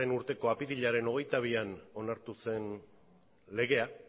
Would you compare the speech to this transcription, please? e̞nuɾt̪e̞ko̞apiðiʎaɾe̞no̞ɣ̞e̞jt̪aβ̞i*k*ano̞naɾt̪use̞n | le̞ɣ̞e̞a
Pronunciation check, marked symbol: incorrect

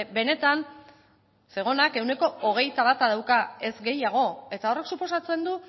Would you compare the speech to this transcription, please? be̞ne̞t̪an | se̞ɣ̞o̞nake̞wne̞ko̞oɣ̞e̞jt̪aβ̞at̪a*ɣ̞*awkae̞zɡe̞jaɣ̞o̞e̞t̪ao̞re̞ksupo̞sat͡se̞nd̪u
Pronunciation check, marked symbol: incorrect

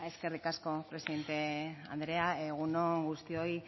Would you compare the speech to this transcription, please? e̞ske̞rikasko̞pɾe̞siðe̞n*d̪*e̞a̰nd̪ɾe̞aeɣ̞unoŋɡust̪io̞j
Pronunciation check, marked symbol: incorrect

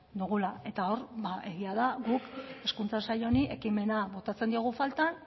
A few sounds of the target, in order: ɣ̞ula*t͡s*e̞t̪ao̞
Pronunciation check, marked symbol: incorrect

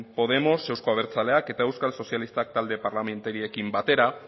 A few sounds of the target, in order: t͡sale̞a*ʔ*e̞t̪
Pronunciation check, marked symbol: incorrect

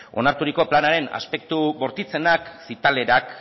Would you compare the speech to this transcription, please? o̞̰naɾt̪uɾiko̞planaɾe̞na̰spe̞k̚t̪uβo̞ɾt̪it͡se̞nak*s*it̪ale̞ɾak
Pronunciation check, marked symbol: correct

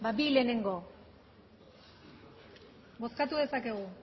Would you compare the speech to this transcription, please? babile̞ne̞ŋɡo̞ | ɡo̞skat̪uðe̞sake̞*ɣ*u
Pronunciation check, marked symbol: correct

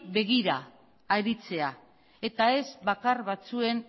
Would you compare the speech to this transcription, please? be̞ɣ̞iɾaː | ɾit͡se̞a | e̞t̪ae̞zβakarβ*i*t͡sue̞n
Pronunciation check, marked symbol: incorrect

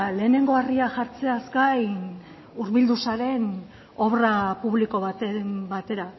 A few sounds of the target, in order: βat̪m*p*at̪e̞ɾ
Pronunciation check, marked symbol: incorrect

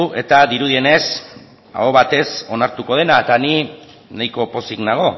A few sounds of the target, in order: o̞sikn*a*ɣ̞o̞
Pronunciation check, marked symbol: correct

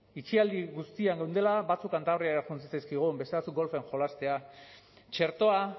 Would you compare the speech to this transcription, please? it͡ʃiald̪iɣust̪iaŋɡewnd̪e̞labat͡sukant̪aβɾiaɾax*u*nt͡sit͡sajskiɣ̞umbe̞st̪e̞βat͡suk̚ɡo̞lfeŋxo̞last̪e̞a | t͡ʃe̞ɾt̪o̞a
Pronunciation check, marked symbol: correct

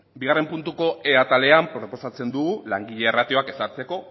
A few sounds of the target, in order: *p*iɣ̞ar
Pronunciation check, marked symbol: incorrect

